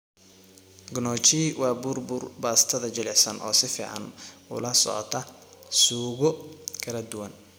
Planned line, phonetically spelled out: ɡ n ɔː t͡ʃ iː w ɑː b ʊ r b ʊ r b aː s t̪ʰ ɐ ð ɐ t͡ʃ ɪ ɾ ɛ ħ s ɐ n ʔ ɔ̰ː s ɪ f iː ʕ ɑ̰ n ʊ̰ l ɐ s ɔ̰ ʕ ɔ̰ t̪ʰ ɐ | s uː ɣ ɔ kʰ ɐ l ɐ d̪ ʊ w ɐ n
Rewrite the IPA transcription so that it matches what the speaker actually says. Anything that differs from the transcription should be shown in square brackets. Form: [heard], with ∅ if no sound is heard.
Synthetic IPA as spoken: ɡ n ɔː t͡ʃ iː w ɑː b ʊ r b ʊ r b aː s t̪ʰ ɐ ð ɐ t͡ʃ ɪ [l] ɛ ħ s ɐ n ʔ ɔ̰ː s ɪ f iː ʕ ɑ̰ n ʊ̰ l ɐ s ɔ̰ ʕ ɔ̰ t̪ʰ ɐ | s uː ɣ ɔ kʰ ɐ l ɐ d̪ ʊ w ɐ n